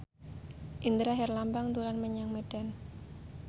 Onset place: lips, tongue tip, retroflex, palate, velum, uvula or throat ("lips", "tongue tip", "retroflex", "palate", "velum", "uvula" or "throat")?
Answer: throat